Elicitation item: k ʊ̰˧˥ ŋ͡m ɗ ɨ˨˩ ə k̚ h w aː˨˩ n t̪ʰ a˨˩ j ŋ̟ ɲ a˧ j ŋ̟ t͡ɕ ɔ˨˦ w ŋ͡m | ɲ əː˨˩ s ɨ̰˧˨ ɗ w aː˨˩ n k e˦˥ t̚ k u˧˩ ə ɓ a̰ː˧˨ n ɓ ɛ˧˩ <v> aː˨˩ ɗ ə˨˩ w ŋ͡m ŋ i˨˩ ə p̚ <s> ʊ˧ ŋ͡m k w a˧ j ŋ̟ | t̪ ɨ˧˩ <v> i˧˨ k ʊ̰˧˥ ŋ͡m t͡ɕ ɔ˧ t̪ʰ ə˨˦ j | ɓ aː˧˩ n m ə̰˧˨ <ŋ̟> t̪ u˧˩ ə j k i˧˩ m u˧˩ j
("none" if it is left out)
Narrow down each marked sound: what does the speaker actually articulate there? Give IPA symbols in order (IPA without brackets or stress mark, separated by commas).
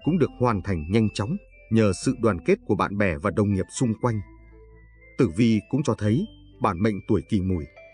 v, s, v, ŋ̟